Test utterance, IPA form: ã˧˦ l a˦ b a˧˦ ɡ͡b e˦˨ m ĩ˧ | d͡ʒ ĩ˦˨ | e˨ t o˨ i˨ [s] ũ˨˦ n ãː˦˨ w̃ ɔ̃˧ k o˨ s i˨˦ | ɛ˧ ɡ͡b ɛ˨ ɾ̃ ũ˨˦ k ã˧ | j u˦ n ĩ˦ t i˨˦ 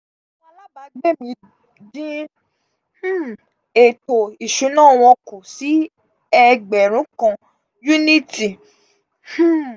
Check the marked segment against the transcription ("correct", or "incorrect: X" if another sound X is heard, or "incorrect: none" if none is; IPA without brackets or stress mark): incorrect: ʃ